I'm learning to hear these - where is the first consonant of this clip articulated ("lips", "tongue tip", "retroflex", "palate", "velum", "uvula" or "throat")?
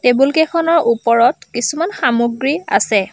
tongue tip